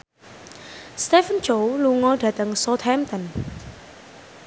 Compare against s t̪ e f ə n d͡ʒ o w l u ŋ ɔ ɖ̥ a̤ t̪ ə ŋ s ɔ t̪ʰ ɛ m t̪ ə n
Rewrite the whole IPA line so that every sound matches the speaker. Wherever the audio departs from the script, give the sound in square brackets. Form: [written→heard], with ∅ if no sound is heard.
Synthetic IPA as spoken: s t̪ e f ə n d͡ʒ o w l u ŋ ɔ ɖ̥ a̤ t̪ ə ŋ s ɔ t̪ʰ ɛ m t̪ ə n